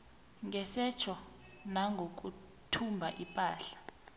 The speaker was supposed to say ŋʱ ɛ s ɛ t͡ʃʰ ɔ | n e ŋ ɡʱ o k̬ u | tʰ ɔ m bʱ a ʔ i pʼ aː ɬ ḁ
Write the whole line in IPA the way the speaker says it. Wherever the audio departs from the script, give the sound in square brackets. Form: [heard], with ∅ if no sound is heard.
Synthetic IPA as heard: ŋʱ ɛ s ɛ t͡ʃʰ ɔ | n [a] ŋ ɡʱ o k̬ u | tʰ [u] m bʱ a ʔ i pʼ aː ɬ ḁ